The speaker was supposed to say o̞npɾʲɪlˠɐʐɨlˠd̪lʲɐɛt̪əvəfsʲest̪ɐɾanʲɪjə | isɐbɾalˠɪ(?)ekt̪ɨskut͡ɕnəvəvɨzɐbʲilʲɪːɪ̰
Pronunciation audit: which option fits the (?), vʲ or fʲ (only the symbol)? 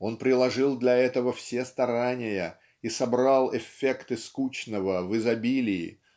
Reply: fʲ